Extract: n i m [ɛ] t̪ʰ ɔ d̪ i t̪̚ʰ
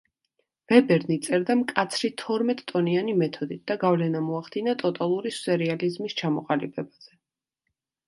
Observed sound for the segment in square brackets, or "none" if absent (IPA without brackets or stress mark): ɛ